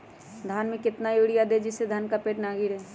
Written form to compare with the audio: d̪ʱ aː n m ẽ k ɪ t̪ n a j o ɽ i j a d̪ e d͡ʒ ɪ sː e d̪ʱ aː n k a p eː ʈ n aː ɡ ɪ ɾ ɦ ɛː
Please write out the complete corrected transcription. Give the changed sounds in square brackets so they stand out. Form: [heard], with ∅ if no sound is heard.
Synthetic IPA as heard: d̪ʱ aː n m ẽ k ɪ t̪ n a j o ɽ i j a d̪ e d͡ʒ ɪ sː e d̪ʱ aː n k a p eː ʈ n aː ɡ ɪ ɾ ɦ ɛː